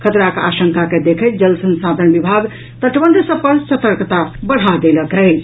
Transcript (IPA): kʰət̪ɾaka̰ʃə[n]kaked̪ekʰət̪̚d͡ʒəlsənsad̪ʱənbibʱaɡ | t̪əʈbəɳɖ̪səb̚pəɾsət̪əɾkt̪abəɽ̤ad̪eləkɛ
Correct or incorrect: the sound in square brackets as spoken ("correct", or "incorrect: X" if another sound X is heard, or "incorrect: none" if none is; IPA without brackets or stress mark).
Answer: incorrect: ŋ